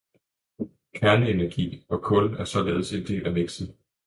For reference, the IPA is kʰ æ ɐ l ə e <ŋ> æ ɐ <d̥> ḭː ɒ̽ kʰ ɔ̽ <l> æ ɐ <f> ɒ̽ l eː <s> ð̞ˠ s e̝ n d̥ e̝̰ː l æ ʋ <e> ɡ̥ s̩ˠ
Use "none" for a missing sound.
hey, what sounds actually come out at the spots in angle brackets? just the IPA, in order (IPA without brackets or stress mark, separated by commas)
n, ɡ̥, l, s, none, e